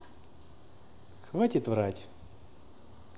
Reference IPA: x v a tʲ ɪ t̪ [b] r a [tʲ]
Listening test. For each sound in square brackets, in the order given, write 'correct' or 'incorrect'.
incorrect, correct

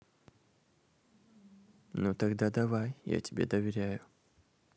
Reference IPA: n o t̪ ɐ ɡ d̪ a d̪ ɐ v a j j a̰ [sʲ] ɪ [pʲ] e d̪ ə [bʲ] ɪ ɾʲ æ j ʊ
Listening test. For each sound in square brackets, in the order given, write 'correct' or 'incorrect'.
incorrect, incorrect, incorrect

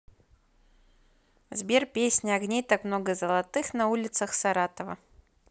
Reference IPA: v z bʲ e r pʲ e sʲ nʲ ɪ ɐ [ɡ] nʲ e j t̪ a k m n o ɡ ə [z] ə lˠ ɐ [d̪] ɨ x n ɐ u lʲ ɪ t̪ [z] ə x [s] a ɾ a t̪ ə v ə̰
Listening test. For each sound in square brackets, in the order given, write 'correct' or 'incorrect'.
correct, correct, incorrect, incorrect, correct

